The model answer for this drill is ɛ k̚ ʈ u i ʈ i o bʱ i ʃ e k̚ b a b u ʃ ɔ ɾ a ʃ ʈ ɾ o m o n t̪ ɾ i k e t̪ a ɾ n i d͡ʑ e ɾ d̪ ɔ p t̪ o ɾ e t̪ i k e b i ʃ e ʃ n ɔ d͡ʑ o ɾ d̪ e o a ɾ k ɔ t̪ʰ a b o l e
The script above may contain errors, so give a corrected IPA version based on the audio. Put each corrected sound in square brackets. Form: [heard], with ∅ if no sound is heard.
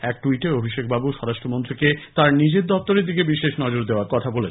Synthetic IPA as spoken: ɛ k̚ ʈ u i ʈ [e] o bʱ i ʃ e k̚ b a b u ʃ ɔ ɾ a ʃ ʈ ɾ o m o n t̪ ɾ i k e t̪ a ɾ n i d͡ʑ e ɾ d̪ ɔ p t̪ o ɾ e [d̪] i k e b i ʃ e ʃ n ɔ d͡ʑ o ɾ d̪ e o a ɾ k ɔ t̪ʰ a b o l e